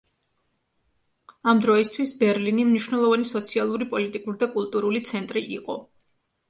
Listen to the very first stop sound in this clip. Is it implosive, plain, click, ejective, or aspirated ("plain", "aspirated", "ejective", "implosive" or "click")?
plain